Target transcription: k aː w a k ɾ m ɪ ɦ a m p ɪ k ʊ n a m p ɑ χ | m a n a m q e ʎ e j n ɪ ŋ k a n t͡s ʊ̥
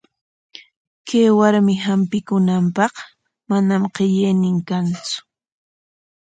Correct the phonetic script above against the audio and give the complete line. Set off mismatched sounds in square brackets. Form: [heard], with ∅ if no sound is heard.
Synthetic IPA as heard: k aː w a [∅] ɾ m ɪ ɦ a m p ɪ k ʊ n a m p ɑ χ | m a n a m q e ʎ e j n ɪ ŋ k a n t͡s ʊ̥